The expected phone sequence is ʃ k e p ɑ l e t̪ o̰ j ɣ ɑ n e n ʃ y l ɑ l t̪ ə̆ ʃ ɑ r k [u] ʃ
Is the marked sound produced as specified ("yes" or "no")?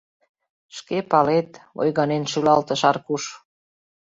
yes